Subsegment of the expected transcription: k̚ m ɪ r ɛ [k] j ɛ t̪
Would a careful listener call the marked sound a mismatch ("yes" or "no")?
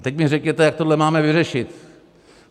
no